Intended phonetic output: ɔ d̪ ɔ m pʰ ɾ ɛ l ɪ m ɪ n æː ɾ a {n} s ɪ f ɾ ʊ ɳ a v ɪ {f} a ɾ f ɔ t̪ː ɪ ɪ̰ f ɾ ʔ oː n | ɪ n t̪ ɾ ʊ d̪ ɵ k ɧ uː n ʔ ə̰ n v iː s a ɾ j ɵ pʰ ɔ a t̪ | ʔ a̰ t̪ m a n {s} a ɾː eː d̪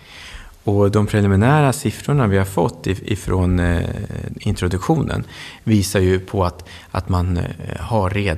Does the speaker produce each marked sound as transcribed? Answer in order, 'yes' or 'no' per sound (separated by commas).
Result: no, no, no